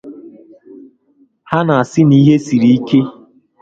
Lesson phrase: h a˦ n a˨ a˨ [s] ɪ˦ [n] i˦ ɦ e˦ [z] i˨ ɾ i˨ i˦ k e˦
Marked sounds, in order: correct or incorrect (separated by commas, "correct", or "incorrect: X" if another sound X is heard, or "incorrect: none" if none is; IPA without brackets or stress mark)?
correct, correct, incorrect: s